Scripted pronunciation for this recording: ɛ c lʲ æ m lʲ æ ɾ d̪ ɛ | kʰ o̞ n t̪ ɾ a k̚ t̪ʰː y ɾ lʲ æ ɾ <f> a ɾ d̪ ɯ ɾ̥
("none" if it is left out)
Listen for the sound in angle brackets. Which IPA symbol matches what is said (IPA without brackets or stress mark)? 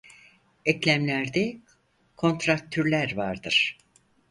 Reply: v